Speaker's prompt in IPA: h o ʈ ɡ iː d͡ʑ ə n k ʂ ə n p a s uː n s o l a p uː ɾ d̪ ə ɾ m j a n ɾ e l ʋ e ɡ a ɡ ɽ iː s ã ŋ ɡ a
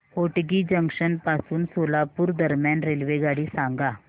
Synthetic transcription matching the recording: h o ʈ ɡ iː d͡ʑ ə ŋ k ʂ ə n p a s uː n s o l a p uː ɾ d̪ ə ɾ m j a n ɾ e l ʋ e ɡ a ɽ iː s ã ŋ ɡ a